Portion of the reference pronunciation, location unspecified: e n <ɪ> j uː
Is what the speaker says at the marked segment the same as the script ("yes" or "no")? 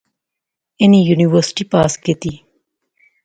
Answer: no